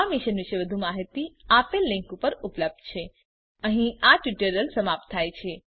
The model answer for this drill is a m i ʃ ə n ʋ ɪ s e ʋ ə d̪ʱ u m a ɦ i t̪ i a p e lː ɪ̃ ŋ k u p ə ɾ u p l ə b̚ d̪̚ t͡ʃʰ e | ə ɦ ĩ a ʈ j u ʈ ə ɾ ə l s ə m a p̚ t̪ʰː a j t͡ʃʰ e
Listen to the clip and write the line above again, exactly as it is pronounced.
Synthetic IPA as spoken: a m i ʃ ə n ʋ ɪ ʃ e ʋ ə d̪ʱ u m a ɦ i t̪ i a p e lː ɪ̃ ŋ k u p ə ɾ u p l ə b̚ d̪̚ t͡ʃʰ e | ə ɦ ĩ a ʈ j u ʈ ə ɾ ə l s ə m a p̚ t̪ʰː a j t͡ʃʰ e